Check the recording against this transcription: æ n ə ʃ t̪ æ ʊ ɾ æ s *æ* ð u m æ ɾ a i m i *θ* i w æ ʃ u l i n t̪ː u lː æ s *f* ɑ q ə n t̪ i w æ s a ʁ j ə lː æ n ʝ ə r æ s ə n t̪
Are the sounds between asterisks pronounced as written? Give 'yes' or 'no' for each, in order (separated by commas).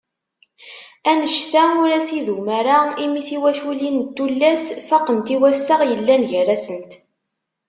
no, yes, yes